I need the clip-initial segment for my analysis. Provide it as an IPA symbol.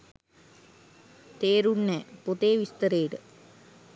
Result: t̪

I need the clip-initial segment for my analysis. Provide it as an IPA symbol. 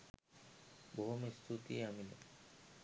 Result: b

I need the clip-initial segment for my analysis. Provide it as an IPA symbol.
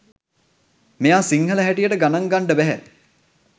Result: m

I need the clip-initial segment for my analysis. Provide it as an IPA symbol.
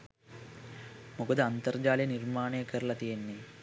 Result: m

